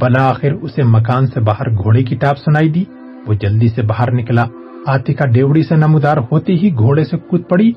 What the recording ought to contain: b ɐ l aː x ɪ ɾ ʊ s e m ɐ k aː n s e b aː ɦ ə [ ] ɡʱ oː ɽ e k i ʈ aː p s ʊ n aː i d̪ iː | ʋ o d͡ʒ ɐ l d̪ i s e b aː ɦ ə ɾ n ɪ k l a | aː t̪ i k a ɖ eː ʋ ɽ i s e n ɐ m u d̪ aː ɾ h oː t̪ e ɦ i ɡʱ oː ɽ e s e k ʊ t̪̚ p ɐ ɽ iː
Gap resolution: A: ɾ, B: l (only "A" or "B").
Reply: A